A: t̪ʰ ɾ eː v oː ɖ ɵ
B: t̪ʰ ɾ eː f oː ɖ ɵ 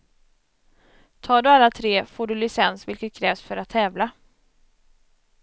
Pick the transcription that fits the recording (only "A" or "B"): B